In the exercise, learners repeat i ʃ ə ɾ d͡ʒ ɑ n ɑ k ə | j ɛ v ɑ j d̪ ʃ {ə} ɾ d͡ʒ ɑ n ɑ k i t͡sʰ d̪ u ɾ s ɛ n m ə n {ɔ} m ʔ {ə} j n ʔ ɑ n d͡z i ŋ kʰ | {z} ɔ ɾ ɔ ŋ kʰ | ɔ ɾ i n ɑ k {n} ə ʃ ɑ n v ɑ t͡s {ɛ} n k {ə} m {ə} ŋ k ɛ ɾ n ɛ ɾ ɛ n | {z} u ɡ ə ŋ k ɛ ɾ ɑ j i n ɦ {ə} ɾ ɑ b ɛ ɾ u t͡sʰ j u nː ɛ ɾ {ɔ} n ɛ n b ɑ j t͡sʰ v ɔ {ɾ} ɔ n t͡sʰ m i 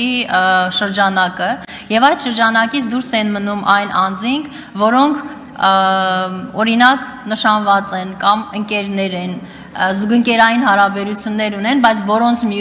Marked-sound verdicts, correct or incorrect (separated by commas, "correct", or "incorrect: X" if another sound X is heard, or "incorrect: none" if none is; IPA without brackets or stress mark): correct, incorrect: u, incorrect: ɑ, incorrect: v, correct, correct, incorrect: ɑ, correct, correct, incorrect: ɑ, incorrect: u, correct